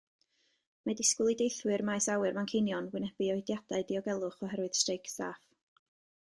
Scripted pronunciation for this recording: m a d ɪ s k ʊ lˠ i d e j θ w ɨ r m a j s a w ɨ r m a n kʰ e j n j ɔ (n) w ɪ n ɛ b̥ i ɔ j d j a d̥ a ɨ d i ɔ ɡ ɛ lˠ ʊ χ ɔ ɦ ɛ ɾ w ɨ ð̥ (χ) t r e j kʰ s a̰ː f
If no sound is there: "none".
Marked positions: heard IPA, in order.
n, s

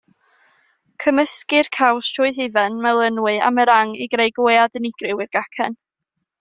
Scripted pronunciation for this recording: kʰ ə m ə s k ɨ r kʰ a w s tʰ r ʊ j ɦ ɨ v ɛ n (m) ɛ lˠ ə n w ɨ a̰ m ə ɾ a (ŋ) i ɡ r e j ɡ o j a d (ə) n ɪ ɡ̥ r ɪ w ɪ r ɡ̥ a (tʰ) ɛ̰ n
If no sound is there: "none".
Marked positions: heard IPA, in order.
m, ŋ, ə, kʰ

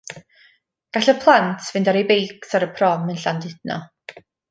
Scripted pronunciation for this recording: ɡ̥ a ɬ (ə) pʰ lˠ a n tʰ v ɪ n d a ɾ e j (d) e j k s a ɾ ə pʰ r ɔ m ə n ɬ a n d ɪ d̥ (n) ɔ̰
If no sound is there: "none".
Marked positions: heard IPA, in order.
ə, b, n

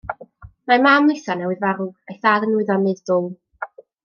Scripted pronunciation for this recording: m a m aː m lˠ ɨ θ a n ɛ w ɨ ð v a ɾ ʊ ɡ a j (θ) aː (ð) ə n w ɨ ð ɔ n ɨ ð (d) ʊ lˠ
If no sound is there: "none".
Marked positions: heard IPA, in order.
θ, ð, d

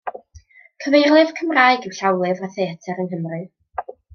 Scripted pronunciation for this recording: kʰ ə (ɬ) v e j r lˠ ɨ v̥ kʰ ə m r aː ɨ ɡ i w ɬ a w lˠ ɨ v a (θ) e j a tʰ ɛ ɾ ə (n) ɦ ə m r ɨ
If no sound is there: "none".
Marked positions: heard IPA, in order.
none, θ, n

